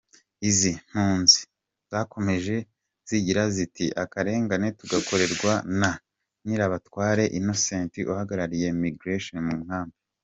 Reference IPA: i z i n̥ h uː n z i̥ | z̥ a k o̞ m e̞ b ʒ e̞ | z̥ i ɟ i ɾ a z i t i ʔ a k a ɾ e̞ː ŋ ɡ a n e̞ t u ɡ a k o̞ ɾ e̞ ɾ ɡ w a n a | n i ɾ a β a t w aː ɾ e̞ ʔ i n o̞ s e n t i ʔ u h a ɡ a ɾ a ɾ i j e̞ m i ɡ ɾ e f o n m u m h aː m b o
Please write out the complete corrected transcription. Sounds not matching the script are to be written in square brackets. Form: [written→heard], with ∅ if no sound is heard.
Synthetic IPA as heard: i z i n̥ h uː n z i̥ | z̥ a k o̞ m e̞ [b→∅] ʒ e̞ | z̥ i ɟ i ɾ a z i t i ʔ a k a ɾ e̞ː ŋ ɡ a n e̞ t u ɡ a k o̞ ɾ e̞ ɾ ɡ w a n a | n i ɾ a β a t w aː ɾ e̞ ʔ i n o̞ s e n t i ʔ u h a ɡ a ɾ a ɾ i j e̞ m i ɡ ɾ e [f→ʃ] o n m u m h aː m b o